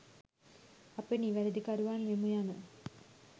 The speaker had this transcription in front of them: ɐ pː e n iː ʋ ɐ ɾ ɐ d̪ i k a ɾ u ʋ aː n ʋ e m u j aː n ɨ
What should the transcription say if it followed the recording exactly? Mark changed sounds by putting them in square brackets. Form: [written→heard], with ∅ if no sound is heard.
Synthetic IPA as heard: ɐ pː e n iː ʋ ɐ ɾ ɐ d̪ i k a ɾ u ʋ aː n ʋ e m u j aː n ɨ